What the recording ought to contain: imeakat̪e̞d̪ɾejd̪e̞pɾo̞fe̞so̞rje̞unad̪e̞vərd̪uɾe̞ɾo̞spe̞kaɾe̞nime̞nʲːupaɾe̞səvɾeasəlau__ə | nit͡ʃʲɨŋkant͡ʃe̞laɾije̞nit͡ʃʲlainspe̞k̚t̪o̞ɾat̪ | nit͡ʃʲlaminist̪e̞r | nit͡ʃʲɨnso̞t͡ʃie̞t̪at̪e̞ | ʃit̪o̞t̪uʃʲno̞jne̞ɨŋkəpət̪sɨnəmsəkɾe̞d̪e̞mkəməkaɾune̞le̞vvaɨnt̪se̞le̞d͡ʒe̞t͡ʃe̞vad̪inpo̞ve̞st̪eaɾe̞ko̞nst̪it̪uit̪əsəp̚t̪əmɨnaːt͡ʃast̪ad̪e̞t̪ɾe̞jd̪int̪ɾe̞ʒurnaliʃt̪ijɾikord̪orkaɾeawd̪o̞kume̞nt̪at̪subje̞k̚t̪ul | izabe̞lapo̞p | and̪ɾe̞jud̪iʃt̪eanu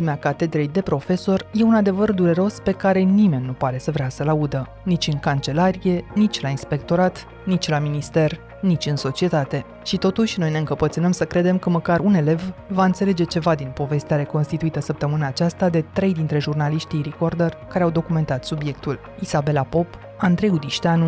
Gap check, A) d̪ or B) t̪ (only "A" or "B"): A